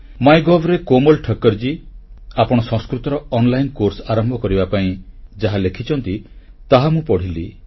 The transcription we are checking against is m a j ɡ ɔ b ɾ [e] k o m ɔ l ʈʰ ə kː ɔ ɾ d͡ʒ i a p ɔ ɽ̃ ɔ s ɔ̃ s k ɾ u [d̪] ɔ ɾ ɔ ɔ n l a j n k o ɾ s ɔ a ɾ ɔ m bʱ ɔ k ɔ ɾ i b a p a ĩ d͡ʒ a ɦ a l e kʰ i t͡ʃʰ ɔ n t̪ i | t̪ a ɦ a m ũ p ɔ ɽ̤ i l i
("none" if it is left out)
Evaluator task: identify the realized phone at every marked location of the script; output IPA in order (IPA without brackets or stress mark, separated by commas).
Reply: e, t̪